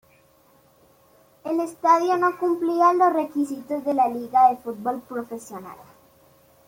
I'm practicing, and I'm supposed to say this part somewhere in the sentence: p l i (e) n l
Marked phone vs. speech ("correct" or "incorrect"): incorrect